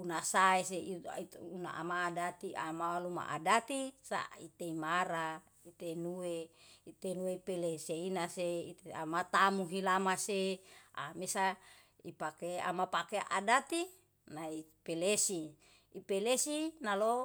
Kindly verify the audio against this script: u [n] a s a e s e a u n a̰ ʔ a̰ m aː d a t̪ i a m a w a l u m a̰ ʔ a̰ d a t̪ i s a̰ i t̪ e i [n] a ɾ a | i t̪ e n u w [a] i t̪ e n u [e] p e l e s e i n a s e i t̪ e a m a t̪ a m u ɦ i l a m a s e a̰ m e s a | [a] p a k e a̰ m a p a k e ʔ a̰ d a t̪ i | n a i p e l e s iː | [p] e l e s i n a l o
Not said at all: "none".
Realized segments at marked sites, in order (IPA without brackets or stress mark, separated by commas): n, m, e, e, i, p